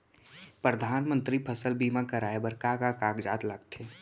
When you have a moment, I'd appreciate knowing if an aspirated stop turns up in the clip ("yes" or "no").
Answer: yes